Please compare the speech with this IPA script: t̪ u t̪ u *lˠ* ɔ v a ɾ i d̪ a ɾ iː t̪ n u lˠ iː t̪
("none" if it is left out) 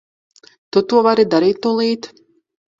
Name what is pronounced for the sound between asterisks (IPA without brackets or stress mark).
none